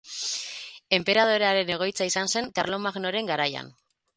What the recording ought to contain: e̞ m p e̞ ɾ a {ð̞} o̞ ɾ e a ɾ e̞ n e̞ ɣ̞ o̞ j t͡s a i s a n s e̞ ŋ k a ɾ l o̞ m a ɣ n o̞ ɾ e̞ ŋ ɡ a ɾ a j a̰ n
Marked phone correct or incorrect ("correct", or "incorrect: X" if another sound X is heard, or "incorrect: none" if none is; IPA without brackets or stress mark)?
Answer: correct